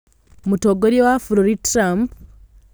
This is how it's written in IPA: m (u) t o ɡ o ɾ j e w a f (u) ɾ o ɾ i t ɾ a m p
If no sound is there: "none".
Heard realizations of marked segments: u, u

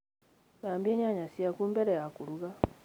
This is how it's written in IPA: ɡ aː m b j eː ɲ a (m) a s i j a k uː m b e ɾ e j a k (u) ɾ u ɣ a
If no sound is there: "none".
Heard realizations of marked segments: ɲ, u

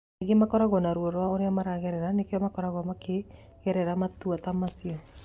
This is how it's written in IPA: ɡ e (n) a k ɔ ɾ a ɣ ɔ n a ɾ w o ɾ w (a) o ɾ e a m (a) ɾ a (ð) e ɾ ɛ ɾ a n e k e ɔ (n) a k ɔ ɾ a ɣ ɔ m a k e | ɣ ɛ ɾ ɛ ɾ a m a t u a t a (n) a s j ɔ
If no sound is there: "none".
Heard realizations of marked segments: m, a, a, ɣ, m, m

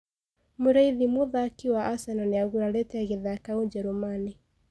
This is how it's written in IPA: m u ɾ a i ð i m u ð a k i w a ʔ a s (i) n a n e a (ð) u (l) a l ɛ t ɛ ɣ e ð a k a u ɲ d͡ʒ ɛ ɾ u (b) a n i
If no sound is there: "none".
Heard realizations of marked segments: a, ɣ, ɾ, m

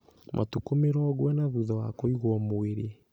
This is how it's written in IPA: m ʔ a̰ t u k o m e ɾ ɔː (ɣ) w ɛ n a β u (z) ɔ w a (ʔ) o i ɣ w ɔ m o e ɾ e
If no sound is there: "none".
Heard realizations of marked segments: ɣ, ð, k

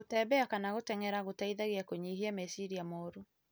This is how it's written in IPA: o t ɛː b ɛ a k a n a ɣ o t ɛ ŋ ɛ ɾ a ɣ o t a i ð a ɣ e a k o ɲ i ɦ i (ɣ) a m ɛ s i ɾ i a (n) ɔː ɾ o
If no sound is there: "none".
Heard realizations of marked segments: none, m

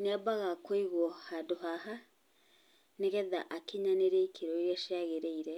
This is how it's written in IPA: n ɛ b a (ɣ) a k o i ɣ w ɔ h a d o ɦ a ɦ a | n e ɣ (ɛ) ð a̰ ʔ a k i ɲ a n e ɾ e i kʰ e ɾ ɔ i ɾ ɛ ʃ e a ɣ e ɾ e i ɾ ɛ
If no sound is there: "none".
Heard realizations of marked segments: ɣ, ɛ

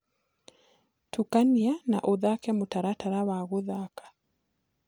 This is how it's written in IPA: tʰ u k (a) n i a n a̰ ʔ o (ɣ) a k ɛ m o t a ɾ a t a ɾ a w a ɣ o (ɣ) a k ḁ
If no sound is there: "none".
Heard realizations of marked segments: a, ð, ð

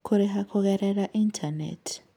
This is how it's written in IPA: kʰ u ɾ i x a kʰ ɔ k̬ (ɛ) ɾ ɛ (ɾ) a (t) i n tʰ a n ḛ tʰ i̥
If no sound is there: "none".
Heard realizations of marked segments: ɛ, l, ʔ

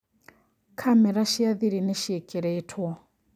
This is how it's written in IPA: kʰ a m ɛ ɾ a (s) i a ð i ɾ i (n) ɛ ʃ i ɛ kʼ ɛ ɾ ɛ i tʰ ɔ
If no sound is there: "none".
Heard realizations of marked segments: ʃ, n

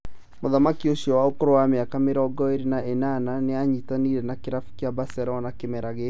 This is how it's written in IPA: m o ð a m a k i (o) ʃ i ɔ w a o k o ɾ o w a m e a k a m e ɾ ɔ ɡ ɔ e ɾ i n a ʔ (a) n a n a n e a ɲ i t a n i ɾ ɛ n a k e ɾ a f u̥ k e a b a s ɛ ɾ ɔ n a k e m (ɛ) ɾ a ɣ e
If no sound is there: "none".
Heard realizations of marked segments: o, e, ɛ

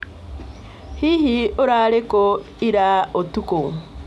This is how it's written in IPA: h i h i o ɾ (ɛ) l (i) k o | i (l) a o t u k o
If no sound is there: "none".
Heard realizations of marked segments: a, e, ɾ

